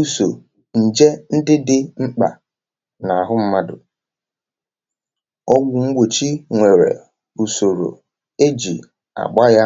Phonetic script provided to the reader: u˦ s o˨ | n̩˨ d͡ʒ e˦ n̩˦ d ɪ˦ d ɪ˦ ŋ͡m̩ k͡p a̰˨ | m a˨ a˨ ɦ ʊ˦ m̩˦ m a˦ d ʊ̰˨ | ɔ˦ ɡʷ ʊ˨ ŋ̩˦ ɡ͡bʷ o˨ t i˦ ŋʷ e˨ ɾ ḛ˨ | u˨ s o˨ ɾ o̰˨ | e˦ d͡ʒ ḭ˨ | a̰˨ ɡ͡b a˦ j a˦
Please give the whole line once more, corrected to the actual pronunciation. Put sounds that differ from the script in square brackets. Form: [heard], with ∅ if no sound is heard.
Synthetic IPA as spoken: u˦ s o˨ | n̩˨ d͡ʒ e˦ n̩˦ d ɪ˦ d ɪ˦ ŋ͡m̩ k͡p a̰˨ | [n] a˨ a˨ ɦ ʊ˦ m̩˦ m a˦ d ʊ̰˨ | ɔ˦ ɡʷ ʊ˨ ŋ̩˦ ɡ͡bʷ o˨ [t͡ʃ] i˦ ŋʷ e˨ ɾ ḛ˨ | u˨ s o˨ ɾ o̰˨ | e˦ d͡ʒ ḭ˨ | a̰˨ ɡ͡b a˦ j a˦